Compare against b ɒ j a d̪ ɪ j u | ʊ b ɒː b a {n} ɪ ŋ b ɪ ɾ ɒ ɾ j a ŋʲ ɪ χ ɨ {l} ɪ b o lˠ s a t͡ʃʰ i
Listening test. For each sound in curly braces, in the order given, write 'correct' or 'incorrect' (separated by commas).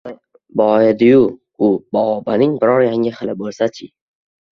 correct, correct